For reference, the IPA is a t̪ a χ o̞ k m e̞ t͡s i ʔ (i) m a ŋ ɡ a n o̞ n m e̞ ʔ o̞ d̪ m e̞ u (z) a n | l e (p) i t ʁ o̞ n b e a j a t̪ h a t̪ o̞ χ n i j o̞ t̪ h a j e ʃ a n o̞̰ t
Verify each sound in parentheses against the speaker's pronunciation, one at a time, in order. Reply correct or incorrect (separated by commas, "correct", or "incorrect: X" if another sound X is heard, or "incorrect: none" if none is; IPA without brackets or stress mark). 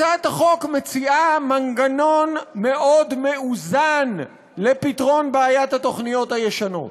incorrect: a, correct, correct